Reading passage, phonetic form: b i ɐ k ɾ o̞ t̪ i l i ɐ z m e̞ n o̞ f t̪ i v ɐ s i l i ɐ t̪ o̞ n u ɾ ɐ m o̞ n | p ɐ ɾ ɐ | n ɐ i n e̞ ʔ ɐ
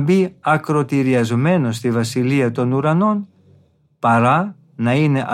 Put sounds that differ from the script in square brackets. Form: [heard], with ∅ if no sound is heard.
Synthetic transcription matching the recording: b i ɐ k ɾ o̞ t̪ i [ɾ] i ɐ z m e̞ n o̞ [s] t̪ i v ɐ s i l i ɐ t̪ o̞ n u ɾ ɐ [n] o̞ n | p ɐ ɾ ɐ | n ɐ i n e̞ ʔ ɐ